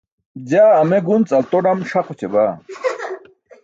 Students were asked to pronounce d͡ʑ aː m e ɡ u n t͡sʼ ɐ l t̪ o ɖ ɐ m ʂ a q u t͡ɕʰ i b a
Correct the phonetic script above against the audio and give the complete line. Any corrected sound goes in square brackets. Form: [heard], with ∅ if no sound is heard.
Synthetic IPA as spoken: d͡ʑ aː m e ɡ u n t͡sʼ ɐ l t̪ o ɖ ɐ m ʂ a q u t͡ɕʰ [e] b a